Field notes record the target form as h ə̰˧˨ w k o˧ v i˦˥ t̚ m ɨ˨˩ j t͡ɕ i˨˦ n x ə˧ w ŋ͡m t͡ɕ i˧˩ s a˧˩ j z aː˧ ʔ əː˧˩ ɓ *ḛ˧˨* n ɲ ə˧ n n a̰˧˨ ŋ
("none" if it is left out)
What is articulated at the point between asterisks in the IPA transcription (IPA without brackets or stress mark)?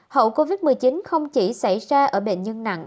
ḛ˧˨